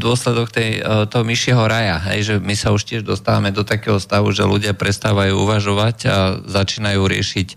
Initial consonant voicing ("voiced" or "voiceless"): voiced